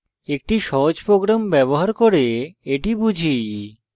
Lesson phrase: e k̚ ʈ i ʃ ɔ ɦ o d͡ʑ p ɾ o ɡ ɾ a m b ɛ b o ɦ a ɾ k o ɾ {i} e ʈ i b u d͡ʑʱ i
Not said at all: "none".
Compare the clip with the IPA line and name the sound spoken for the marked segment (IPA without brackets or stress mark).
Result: e